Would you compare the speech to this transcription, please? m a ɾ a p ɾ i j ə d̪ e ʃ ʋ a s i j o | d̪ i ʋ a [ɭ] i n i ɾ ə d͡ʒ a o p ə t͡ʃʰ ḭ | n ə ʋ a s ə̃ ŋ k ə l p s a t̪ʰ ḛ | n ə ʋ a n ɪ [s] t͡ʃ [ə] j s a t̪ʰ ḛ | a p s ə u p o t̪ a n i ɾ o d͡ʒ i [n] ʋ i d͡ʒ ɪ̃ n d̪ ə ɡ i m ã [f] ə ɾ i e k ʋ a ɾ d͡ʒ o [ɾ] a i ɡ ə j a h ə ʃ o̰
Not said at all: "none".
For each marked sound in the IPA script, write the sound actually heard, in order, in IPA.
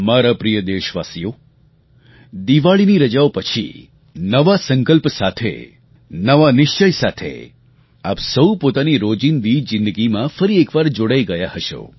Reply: ɭ, ʃ, ə, n, f, ɽ

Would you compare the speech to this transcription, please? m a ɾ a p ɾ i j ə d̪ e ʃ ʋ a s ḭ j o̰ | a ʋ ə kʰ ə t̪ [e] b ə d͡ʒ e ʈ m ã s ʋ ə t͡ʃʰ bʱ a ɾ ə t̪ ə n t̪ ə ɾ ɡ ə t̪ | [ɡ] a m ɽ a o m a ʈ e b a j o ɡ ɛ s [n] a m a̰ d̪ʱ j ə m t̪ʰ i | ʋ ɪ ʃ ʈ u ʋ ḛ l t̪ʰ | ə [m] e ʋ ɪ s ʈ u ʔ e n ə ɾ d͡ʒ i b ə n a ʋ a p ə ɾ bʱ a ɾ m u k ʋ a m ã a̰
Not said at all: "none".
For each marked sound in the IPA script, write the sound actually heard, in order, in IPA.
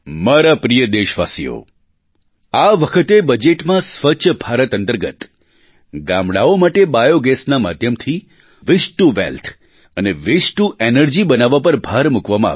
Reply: e, ɡ, n, n

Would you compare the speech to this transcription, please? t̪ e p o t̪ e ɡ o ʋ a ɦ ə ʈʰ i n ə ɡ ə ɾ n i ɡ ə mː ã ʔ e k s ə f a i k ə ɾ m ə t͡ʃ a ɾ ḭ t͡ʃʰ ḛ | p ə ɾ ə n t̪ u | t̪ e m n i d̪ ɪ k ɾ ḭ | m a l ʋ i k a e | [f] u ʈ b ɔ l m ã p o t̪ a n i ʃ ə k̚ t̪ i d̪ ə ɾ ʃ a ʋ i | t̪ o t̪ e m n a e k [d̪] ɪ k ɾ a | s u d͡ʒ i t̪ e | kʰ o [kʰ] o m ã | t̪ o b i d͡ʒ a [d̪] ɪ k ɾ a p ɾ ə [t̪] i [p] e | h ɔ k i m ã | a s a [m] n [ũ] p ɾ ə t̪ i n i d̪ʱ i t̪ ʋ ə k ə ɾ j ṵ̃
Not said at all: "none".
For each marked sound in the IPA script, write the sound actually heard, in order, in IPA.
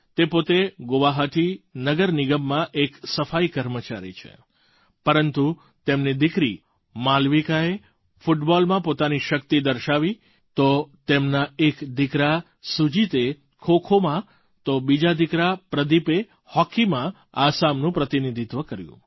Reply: f, d̪, kʰ, d̪, d̪, p, m, ũ

